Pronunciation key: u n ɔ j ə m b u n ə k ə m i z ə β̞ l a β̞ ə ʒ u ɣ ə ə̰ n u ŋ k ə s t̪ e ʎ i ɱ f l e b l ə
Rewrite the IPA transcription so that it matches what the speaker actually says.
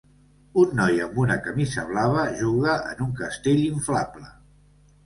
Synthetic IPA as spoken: u nː ɔ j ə m b u n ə k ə m i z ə β̞ l a β̞ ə ʒ u ɣ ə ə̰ n u ŋ k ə s t̪ e ʎ i ɱ f l a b l ə